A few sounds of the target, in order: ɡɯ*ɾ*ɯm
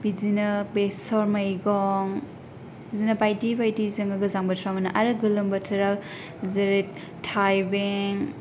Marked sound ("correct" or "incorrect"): incorrect